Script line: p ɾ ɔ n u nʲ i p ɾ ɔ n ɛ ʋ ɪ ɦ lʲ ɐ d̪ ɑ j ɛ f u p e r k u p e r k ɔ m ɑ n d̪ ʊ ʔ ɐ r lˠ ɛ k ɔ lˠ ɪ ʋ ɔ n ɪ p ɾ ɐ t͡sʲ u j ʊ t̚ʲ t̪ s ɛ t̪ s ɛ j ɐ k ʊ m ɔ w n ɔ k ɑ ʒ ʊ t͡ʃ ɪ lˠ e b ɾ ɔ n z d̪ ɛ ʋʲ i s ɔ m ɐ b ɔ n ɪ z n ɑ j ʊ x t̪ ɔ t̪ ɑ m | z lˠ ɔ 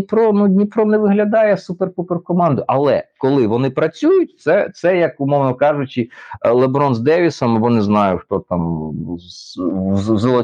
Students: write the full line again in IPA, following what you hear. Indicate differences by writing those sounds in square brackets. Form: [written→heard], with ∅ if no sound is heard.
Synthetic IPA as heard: p ɾ ɔ n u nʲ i p ɾ ɔ n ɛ ʋ ɪ ɦ lʲ ɐ d̪ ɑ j ɛ [f→s] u p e r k u p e r k ɔ m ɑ n d̪ ʊ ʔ ɐ [r→∅] lˠ ɛ k ɔ lˠ ɪ ʋ ɔ n ɪ p ɾ ɐ t͡sʲ u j ʊ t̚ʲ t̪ s ɛ t̪ s ɛ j ɐ k ʊ m ɔ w n ɔ k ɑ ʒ ʊ t͡ʃ ɪ lˠ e b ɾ ɔ n z d̪ ɛ ʋʲ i s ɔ m ɐ b ɔ n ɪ z n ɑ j ʊ x t̪ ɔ t̪ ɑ m | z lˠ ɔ